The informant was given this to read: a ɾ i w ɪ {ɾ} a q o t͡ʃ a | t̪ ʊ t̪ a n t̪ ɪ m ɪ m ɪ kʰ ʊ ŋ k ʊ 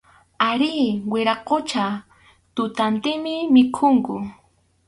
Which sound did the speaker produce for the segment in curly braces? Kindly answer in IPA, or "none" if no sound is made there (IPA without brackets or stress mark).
ɾ